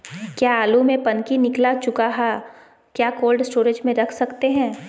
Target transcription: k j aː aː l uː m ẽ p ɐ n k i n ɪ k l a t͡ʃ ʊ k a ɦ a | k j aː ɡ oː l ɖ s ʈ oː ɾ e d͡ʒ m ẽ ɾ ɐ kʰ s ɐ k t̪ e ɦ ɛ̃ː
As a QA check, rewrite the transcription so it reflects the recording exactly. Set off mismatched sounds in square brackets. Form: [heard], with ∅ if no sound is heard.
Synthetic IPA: k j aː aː l [u] m ẽ p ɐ n k i n ɪ k l a t͡ʃ ʊ k a ɦ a | k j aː [k] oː l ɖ s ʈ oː ɾ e d͡ʒ m ẽ ɾ ɐ kʰ s ɐ k t̪ e ɦ ɛ̃ː